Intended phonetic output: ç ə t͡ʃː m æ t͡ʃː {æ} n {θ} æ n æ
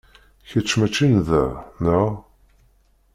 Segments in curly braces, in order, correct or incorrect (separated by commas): incorrect, incorrect